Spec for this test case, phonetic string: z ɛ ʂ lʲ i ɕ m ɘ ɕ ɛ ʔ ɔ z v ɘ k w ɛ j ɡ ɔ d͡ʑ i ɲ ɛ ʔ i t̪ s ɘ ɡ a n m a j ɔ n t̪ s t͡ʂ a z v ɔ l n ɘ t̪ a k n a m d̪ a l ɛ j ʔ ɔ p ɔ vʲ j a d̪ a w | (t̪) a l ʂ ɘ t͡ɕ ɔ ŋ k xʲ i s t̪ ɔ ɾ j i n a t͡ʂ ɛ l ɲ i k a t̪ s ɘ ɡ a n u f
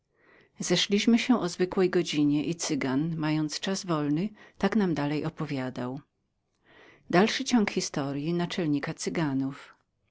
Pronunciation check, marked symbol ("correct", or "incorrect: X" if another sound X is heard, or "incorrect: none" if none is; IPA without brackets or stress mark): incorrect: d̪